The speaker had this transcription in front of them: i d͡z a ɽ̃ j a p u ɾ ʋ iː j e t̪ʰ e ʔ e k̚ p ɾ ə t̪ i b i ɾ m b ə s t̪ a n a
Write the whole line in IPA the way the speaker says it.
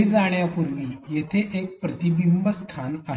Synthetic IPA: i d͡z a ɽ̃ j a p u ɾ ʋ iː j e t̪ʰ e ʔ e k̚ p ɾ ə t̪ i b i m b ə s t̪ʰ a n a